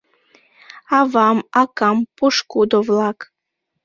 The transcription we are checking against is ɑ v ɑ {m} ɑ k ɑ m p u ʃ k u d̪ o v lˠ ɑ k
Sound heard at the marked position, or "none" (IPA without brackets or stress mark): m